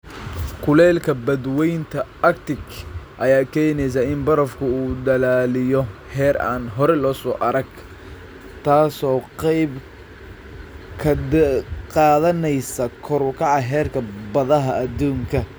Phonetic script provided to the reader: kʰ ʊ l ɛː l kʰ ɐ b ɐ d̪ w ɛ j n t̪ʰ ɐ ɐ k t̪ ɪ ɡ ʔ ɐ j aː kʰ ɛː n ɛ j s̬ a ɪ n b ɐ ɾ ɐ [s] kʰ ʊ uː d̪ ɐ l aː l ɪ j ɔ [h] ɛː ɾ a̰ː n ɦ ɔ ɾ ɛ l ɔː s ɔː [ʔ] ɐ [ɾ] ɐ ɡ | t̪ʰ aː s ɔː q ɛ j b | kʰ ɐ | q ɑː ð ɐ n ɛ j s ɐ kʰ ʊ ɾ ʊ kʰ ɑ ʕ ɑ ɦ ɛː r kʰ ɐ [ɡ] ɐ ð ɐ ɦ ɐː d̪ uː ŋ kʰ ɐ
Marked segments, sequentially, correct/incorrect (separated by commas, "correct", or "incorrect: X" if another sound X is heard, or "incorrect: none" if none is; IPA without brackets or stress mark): incorrect: f, correct, correct, correct, incorrect: b